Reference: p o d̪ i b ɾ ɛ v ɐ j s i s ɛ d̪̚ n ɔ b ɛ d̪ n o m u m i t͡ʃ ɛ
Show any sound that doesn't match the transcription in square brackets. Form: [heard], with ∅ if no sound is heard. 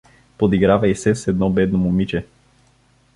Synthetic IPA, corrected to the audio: p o d̪ i [ɡ] ɾ [a] v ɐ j s [ɛ] s ɛ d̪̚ n ɔ b ɛ d̪ n o m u m i t͡ʃ ɛ